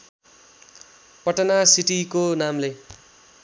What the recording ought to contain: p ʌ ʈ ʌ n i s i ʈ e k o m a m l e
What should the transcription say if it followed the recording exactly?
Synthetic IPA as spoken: p ʌ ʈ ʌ n a s i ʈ i k o n a m l e

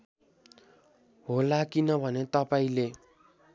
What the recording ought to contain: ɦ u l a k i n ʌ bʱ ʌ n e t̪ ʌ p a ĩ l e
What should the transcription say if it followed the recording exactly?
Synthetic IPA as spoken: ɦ o l a k i n ʌ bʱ ʌ n e t̪ ʌ p a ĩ l e

